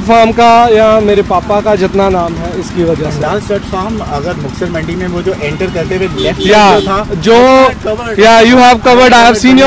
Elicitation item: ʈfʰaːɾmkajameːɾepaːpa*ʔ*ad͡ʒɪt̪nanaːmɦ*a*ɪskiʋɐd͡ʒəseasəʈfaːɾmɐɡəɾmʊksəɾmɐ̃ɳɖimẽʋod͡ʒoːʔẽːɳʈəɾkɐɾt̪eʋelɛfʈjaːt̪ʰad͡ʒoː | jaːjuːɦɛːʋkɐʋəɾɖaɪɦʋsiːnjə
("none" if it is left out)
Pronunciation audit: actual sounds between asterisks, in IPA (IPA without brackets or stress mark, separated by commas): k, ɛ